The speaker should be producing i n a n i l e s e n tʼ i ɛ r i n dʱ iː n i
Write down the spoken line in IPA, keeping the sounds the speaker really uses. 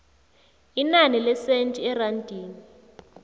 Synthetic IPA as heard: i n a n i l ɛ s e n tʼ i ɛ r a n dʱ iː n i